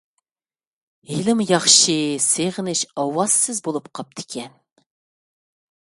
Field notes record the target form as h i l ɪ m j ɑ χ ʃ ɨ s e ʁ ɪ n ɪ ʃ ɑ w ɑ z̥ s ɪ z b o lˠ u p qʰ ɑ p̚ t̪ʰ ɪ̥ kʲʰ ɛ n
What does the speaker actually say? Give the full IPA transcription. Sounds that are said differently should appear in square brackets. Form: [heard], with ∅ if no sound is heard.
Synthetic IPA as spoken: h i l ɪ m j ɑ χ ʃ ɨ s e ʁ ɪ n ɪ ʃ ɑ w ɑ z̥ s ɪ z b o lˠ u p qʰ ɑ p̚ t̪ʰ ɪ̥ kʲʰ ɛ n